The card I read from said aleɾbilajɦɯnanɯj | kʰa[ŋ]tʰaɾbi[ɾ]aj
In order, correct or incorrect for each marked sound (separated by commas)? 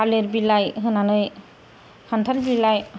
incorrect, incorrect